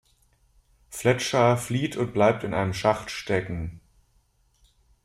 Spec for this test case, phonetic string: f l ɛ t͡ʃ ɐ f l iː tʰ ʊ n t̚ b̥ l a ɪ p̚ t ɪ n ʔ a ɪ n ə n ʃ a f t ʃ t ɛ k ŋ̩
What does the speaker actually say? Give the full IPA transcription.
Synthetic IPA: f l ɛ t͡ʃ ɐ f l iː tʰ ʊ n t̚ b̥ l a ɪ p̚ t ɪ n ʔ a ɪ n ə m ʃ a χ t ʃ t ɛ k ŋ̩